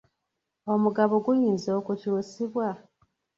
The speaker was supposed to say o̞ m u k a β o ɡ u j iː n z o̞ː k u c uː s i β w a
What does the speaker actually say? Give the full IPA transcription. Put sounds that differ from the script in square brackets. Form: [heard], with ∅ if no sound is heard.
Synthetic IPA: o̞ m u [ɡ] a β o ɡ u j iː n z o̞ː k u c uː s i β w a

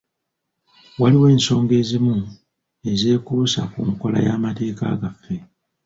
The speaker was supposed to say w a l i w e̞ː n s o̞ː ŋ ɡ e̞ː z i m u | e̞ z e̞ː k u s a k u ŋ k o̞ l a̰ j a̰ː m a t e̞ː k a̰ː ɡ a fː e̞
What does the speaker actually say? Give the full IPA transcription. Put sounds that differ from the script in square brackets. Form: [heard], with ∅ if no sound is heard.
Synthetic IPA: w a l i w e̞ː n s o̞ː ŋ ɡ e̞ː z i m u | e̞ z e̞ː k u s a k u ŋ k o̞ l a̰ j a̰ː m a t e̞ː k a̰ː ɡ a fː e̞

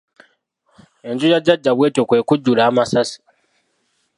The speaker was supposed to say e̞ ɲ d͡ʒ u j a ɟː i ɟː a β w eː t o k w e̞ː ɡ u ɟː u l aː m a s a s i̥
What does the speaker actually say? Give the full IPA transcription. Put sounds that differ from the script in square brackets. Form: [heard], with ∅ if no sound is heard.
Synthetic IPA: e̞ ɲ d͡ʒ u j a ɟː [a] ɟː a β w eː t o k w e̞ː [k] u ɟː u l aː m a s a s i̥

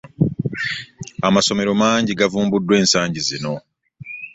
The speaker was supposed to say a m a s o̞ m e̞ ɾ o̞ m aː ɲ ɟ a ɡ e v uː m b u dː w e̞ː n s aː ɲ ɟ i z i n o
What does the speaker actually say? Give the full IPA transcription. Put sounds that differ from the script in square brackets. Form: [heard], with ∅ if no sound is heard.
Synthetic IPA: a m a s o̞ m e̞ ɾ o̞ m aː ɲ ɟ [i] ɡ [a] v uː m b u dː w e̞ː n s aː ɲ ɟ i z i n o

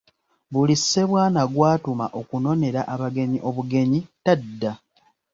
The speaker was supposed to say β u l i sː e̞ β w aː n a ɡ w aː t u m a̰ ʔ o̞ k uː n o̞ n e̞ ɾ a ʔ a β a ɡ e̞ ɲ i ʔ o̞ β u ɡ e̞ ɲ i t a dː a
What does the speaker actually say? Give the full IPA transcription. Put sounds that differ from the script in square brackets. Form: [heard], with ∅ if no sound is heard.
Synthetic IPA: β u l i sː e̞ β w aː n a ɡ w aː t u m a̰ ʔ o̞ k [u] n o̞ n e̞ ɾ a ʔ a β a ɡ e̞ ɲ i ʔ o̞ β u ɡ e̞ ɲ i t a dː a

